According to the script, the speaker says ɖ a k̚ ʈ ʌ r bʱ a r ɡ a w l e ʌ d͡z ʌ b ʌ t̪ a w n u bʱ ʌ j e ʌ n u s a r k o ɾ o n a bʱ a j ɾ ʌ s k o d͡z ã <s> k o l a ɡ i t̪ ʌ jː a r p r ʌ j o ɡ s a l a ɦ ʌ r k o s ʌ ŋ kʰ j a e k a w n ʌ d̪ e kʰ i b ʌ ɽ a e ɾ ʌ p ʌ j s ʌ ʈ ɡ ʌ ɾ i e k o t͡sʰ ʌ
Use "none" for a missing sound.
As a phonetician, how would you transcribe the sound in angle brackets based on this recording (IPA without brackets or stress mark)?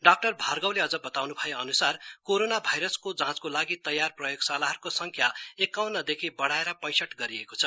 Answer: t͡s